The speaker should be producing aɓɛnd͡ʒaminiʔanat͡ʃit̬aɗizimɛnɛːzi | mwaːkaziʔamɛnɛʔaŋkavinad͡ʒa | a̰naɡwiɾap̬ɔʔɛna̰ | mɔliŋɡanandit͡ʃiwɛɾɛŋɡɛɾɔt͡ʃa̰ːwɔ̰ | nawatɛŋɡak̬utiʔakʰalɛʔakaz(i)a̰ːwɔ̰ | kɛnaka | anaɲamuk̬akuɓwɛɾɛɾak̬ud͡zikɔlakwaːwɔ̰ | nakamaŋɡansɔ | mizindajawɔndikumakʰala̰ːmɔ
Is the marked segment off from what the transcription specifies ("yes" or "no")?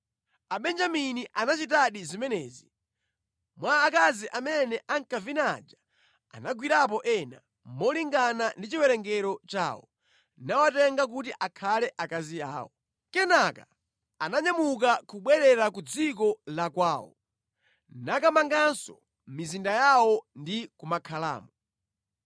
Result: no